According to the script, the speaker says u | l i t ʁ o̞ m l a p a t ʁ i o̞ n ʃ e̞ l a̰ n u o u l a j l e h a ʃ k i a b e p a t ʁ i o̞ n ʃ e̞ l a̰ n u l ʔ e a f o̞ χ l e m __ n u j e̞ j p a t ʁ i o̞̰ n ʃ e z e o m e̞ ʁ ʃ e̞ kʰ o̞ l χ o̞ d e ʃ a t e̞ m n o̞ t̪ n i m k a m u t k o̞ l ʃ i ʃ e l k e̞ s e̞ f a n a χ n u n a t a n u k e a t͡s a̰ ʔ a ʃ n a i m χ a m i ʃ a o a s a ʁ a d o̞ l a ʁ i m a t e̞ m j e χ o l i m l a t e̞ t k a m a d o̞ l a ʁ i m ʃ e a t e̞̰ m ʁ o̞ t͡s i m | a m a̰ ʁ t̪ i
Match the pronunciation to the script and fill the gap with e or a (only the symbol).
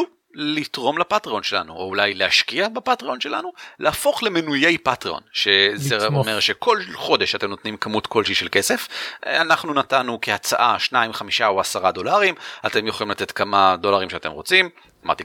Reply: e